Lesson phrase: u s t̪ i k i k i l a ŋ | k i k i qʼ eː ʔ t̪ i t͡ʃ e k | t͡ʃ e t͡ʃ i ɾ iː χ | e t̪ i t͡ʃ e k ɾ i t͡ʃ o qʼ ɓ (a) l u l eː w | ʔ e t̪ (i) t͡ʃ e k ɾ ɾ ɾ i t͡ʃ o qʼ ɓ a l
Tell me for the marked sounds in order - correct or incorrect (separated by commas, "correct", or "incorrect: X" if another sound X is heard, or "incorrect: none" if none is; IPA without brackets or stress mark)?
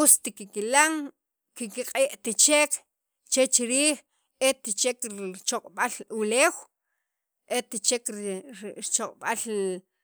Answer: correct, correct